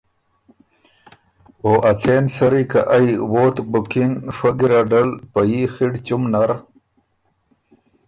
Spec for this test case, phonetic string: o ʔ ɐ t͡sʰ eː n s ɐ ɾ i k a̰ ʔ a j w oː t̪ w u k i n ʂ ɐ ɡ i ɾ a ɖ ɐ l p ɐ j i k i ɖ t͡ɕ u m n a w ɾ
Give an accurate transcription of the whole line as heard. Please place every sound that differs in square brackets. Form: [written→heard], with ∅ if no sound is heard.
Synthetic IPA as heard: o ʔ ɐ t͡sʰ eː n s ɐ ɾ i k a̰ ʔ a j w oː t̪ [w→b] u k i n ʂ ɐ ɡ i ɾ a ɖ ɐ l p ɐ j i [k→x] i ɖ t͡ɕ u m n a [w→∅] ɾ